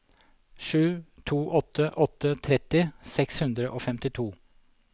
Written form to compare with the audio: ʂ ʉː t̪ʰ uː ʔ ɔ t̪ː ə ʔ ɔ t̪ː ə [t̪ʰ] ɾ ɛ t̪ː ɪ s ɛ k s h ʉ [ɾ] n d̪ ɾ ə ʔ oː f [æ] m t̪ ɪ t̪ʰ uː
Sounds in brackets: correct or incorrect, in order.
correct, incorrect: none, incorrect: ɛ

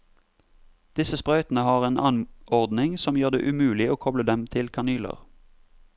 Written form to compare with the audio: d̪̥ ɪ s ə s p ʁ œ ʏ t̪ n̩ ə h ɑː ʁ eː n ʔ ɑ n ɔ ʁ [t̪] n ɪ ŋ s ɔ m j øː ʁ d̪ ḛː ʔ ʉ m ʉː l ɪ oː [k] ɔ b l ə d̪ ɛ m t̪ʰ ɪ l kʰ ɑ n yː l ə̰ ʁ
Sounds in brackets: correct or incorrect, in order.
incorrect: d̪, incorrect: kʰ

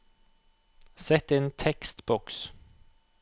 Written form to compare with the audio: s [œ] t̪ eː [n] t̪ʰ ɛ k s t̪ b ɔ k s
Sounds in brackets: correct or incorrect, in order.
incorrect: ɛ, correct

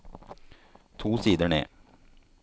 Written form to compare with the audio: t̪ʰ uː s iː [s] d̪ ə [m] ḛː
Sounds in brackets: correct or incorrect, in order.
incorrect: none, incorrect: ɳ

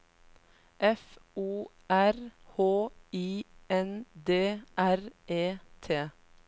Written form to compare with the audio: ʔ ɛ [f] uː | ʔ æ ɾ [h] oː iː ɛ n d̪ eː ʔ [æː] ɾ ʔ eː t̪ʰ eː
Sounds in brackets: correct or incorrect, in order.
correct, correct, incorrect: æ

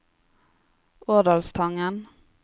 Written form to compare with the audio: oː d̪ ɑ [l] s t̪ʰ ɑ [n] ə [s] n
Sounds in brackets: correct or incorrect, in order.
correct, incorrect: ŋ, incorrect: none

